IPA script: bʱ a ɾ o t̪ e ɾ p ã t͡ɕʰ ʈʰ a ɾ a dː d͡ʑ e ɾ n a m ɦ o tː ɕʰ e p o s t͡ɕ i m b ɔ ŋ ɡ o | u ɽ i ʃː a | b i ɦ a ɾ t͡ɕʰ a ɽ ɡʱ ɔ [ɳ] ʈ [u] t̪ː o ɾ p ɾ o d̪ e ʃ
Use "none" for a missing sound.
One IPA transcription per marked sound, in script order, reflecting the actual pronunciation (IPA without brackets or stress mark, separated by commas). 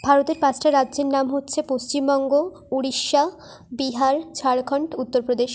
ɳ, u